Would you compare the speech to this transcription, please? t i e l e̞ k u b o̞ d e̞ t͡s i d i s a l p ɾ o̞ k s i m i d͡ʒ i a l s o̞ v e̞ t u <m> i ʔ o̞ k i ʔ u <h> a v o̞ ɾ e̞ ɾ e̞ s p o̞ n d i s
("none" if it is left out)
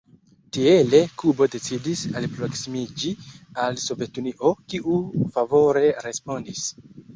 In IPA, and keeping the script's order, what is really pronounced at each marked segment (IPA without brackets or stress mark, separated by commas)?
n, f